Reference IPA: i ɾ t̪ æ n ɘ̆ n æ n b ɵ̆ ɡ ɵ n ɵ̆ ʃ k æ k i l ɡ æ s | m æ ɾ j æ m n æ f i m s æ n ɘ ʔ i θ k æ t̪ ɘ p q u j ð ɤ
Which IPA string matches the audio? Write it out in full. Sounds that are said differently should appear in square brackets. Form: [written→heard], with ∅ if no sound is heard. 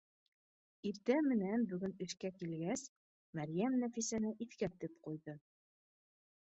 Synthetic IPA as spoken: i ɾ t̪ æ [n→m] ɘ̆ n æ n b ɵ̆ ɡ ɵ n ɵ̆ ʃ k æ k i l ɡ æ s | m æ ɾ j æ m n æ f i [m→∅] s æ n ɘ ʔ i θ k æ t̪ ɘ p q u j ð ɤ